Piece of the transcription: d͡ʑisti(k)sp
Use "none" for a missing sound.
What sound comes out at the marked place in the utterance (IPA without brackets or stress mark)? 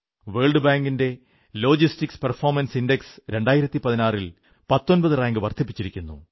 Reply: k